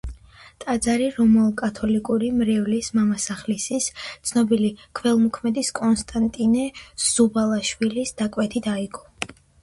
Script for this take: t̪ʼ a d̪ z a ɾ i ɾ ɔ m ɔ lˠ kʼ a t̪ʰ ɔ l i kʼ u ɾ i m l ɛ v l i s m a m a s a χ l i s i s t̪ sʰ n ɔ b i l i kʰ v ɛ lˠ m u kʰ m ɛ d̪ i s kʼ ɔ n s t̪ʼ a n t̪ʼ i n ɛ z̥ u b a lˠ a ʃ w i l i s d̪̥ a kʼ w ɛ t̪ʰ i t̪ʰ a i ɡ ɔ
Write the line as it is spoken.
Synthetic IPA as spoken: t̪ʼ a d̪ z a ɾ i ɾ ɔ m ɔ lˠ kʼ a t̪ʰ ɔ l i kʼ u ɾ i m ɾ ɛ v l i s m a m a s a χ l i s i s t̪ sʰ n ɔ b i l i kʰ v ɛ lˠ m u kʰ m ɛ d̪ i s kʼ ɔ n s t̪ʼ a n t̪ʼ i n ɛ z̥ u b a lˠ a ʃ w i l i s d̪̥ a kʼ w ɛ t̪ʰ i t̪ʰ a i ɡ ɔ